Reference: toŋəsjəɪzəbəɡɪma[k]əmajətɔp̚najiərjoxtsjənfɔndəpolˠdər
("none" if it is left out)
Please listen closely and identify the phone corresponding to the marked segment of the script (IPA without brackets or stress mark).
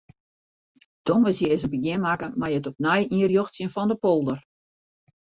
k